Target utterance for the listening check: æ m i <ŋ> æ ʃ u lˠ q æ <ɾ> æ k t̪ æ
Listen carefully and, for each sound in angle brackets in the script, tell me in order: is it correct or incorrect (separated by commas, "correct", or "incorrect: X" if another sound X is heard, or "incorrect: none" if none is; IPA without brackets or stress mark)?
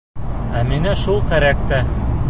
incorrect: n, correct